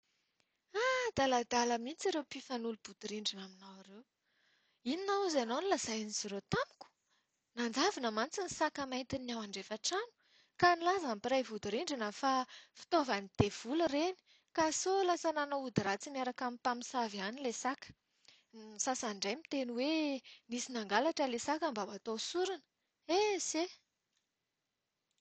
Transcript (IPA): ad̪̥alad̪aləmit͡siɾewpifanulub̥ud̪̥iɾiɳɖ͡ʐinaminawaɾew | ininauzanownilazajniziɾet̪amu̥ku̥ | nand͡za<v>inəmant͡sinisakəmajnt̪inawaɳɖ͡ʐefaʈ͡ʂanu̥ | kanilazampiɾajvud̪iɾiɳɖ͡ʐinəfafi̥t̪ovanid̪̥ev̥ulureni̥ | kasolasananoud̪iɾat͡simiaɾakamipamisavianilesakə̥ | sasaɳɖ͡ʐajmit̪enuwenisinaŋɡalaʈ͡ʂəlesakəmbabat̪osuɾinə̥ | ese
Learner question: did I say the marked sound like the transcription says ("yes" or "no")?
yes